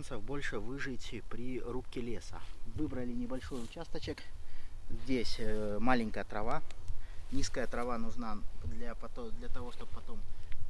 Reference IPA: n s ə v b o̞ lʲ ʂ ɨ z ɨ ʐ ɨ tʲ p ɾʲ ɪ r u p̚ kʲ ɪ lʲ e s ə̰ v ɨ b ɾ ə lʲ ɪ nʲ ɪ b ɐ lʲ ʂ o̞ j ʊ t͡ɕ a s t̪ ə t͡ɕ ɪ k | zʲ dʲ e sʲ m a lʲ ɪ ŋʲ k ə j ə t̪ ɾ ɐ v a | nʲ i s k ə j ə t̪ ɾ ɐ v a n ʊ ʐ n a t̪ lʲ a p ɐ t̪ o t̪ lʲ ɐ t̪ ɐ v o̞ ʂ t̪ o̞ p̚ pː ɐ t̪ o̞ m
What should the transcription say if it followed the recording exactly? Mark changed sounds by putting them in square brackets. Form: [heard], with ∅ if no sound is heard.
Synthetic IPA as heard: n s ə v b o̞ lʲ ʂ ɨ [v] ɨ ʐ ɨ tʲ p ɾʲ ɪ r u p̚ kʲ ɪ lʲ e s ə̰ v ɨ b ɾ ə lʲ ɪ nʲ ɪ b ɐ lʲ ʂ o̞ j ʊ t͡ɕ a s t̪ ə t͡ɕ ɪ k | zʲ dʲ e sʲ m a lʲ ɪ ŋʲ k ə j ə t̪ ɾ ɐ v a | nʲ i s k ə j ə t̪ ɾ ɐ v a n ʊ ʐ n a [d̪] lʲ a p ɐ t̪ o [d̪] lʲ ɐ t̪ ɐ v o̞ ʂ t̪ o̞ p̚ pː ɐ t̪ o̞ m

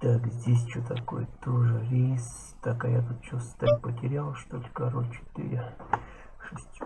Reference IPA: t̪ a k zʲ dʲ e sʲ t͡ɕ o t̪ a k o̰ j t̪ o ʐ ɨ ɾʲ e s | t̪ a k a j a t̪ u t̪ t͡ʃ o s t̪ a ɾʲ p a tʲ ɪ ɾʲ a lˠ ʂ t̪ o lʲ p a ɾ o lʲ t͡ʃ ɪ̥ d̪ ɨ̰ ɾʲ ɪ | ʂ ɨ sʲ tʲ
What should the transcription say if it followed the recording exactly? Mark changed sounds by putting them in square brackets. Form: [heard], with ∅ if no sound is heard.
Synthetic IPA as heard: t̪ a k zʲ dʲ e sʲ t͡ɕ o t̪ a k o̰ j t̪ o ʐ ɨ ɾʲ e s | t̪ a k a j a t̪ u t̪ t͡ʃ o s t̪ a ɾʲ p [ə] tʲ ɪ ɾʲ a lˠ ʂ t̪ o lʲ [k] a ɾ o lʲ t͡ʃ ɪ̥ [t̪] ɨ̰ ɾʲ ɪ | ʂ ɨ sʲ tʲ

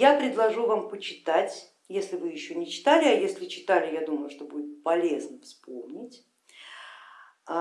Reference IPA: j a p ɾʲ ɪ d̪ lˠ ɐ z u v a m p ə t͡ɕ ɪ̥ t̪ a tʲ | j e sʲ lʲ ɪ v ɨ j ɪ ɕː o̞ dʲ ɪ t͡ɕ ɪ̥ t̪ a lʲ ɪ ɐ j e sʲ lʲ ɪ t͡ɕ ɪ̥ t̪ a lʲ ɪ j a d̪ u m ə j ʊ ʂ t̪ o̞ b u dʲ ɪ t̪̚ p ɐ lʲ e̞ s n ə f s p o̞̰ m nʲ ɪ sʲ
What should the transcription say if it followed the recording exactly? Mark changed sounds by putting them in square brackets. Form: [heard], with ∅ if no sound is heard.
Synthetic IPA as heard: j a p ɾʲ ɪ d̪ lˠ ɐ [ʐ] u v a m p ə t͡ɕ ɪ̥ t̪ a tʲ | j e sʲ lʲ ɪ v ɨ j ɪ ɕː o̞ [nʲ] ɪ t͡ɕ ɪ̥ t̪ a lʲ ɪ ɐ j e sʲ lʲ ɪ t͡ɕ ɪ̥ t̪ a lʲ ɪ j a d̪ u m ə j ʊ ʂ t̪ o̞ b u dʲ ɪ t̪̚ p ɐ lʲ e̞ [z] n ə f s p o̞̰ m nʲ ɪ [tʲ]

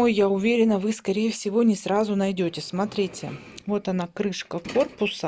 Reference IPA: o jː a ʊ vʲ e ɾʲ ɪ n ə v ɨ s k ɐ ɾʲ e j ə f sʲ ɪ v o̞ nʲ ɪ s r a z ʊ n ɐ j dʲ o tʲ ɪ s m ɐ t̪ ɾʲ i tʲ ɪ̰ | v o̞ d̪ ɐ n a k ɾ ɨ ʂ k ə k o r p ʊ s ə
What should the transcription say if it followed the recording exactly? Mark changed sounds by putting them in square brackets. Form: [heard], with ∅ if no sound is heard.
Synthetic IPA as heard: o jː a ʊ vʲ e ɾʲ ɪ n ə v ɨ s k ɐ ɾʲ e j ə f sʲ ɪ v o̞ nʲ ɪ s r a z ʊ n ɐ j dʲ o tʲ ɪ s m ɐ t̪ ɾʲ i tʲ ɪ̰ | v o̞ [t̪] ɐ n a k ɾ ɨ ʂ k ə k o r p ʊ s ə

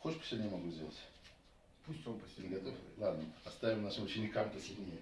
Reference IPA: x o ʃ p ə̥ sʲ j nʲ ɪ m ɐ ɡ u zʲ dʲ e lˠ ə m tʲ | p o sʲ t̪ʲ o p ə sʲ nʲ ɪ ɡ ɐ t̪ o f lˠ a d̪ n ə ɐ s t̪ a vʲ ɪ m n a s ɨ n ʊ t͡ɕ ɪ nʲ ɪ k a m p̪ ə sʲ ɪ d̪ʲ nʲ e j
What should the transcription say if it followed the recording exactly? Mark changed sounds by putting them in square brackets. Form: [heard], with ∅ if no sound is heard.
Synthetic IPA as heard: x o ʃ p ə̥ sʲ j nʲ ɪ m ɐ ɡ u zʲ dʲ e lˠ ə [∅] tʲ | p [u] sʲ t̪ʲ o p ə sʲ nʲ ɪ ɡ ɐ t̪ o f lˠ a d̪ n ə ɐ s t̪ a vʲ ɪ m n a [ʂ] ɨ [m] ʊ t͡ɕ ɪ nʲ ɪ k a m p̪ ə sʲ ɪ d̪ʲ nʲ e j

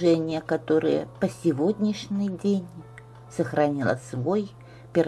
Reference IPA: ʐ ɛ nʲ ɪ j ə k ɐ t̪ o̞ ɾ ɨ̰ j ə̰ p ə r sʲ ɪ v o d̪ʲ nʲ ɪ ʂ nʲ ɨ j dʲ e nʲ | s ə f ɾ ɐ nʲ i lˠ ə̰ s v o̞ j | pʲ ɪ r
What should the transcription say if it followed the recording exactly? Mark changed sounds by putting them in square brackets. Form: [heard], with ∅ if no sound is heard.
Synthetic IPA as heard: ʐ ɛ nʲ ɪ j ə k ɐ t̪ o̞ ɾ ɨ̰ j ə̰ p ə [∅] sʲ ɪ v o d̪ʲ nʲ ɪ ʂ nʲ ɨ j dʲ e nʲ | s ə [x] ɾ ɐ nʲ i lˠ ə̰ s v o̞ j | pʲ ɪ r

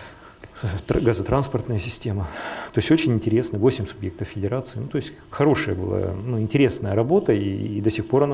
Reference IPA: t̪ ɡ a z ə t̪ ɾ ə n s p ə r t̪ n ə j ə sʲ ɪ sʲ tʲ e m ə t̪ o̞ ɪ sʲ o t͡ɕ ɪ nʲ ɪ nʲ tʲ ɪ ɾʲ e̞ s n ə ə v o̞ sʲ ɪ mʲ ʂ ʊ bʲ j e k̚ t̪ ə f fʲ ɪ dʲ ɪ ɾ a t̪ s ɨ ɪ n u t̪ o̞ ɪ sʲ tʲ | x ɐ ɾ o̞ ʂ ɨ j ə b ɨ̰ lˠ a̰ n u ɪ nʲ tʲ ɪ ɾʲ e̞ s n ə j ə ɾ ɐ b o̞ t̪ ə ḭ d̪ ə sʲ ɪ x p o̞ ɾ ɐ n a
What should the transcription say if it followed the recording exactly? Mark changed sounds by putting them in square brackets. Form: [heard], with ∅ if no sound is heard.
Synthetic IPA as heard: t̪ ɡ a z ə t̪ ɾ [a] n s p ə r t̪ n ə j ə sʲ ɪ sʲ tʲ e m ə t̪ o̞ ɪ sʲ o t͡ɕ ɪ nʲ ɪ nʲ tʲ ɪ ɾʲ e̞ s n ə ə v o̞ sʲ ɪ mʲ [s] ʊ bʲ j e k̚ t̪ ə f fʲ ɪ dʲ ɪ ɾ a t̪ s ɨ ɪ n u t̪ o̞ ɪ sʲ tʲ | x ɐ ɾ o̞ ʂ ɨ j ə b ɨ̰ lˠ a̰ n u ɪ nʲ tʲ ɪ ɾʲ e̞ s n ə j ə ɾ ɐ b o̞ t̪ ə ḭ d̪ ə sʲ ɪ x p o̞ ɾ ɐ n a

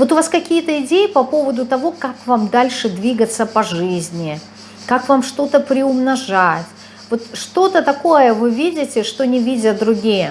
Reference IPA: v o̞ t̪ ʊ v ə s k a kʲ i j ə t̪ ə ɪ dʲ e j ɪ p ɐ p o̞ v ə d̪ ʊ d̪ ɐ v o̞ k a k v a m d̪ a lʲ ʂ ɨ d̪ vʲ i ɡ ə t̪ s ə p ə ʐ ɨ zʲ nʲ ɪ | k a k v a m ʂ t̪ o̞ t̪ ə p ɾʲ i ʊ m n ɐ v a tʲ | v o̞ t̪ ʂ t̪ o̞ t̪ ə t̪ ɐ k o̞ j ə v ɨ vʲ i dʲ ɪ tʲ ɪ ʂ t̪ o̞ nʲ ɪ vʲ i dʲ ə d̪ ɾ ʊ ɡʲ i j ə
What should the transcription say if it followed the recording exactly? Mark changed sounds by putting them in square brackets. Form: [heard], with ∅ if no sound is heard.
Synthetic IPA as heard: v o̞ t̪ ʊ v [a] s k [ɐ] kʲ i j ə t̪ ə ɪ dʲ e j ɪ p ɐ p o̞ v ə d̪ ʊ [t̪] ɐ v o̞ k a k v a m d̪ a lʲ ʂ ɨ d̪ vʲ i ɡ ə t̪ s ə p [ɐ] ʐ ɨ zʲ nʲ ɪ | k a k v a m ʂ t̪ o̞ t̪ ə p ɾʲ [ɪ] ʊ m n ɐ [ʐ] a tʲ | v o̞ t̪ ʂ t̪ o̞ t̪ ə t̪ ɐ k o̞ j ə v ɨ vʲ i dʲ ɪ tʲ ɪ ʂ t̪ o̞ nʲ ɪ vʲ i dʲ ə d̪ ɾ ʊ ɡʲ i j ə

